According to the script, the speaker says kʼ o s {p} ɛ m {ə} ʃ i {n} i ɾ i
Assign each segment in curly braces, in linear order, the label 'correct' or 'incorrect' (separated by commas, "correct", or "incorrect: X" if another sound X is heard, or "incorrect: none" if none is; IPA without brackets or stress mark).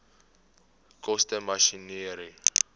incorrect: t, incorrect: a, correct